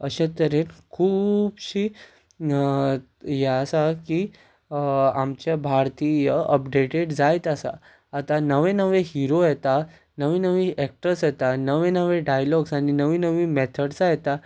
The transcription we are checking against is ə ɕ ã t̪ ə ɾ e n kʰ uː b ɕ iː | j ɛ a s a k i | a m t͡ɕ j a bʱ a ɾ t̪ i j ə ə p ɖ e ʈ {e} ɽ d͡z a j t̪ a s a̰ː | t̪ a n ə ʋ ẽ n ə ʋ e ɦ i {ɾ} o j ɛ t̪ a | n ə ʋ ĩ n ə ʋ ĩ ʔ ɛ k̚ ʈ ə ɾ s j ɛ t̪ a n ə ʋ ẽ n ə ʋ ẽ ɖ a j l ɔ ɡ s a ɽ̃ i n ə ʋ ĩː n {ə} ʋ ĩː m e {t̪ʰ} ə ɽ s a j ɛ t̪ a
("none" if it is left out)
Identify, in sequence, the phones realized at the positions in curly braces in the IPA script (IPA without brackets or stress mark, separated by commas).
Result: e, ɾ, ə, t̪ʰ